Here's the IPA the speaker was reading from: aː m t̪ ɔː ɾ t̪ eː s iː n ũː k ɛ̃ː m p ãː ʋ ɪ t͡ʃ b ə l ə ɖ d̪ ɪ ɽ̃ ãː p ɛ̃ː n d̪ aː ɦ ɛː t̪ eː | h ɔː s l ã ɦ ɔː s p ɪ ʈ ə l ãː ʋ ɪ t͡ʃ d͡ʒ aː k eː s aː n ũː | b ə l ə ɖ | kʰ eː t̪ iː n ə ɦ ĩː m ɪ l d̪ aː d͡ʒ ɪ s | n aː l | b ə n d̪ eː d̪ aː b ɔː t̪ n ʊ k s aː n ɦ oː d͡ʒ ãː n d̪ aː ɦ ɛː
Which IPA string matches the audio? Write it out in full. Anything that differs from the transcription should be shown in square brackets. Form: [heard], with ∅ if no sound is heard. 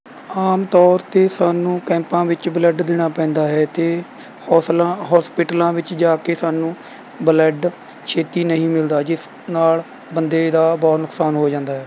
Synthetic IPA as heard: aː m t̪ ɔː ɾ t̪ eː s [aː] n ũː k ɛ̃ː m p ãː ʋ ɪ t͡ʃ b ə l ə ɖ d̪ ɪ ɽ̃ [aː] p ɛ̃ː n d̪ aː ɦ ɛː t̪ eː | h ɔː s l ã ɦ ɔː s p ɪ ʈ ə l ãː ʋ ɪ t͡ʃ d͡ʒ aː k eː s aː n ũː | b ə l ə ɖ | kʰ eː t̪ iː n ə ɦ ĩː m ɪ l d̪ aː d͡ʒ ɪ s | n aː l | b ə n d̪ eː d̪ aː b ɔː t̪ n ʊ k s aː n ɦ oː d͡ʒ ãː n d̪ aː ɦ ɛː